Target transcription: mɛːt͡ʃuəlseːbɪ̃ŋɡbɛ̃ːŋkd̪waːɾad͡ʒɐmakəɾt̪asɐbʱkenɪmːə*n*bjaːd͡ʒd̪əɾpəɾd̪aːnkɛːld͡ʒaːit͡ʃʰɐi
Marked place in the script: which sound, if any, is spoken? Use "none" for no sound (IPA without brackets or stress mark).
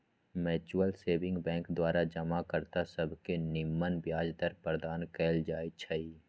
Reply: n